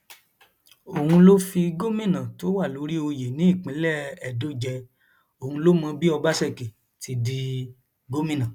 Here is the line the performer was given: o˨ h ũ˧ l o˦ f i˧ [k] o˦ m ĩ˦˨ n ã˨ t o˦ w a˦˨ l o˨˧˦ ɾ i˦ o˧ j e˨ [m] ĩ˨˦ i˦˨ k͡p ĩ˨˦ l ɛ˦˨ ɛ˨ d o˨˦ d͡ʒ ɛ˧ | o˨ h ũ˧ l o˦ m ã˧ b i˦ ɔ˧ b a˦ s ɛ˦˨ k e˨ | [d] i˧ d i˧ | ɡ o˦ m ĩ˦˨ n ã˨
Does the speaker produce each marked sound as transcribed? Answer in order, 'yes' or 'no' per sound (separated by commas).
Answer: no, no, no